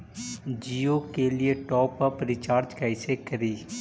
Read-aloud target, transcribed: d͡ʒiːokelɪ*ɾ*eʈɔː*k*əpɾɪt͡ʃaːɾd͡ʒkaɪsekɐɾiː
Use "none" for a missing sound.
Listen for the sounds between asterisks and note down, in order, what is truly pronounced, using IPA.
none, p

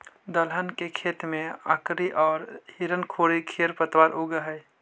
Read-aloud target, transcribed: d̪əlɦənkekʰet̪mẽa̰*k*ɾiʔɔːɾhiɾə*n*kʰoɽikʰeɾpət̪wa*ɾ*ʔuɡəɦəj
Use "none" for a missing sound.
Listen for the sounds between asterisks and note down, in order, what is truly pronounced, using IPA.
k, n, ɾ

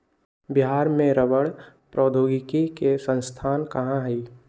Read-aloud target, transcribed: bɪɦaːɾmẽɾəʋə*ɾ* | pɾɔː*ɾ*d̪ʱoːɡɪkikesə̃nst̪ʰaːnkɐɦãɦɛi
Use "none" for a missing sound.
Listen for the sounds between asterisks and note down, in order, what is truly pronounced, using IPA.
ɽ, none

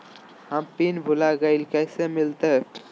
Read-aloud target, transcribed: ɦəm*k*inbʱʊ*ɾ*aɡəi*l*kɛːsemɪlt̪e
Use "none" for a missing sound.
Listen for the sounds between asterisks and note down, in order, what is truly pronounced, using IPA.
p, l, l

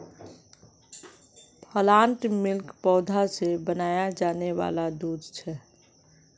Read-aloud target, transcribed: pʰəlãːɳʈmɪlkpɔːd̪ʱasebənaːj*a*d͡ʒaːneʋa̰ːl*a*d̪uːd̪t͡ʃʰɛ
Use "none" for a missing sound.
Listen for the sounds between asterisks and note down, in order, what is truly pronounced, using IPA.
a, a

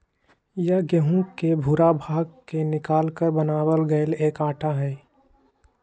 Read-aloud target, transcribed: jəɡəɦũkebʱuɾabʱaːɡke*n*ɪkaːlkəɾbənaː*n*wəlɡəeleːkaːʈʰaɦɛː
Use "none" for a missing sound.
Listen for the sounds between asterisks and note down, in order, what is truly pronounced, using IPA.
n, none

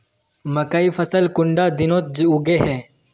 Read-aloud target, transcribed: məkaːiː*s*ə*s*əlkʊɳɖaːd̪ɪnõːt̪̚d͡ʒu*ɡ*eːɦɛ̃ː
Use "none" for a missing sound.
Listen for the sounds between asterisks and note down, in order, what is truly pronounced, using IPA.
f, s, ɡ

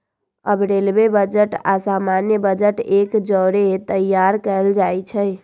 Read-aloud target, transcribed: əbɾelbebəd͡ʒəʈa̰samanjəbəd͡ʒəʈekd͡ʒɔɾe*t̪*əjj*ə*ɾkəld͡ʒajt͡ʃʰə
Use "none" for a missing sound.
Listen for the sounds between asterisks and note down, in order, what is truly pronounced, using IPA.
t̪, a

